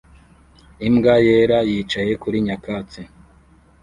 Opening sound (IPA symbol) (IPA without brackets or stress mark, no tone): i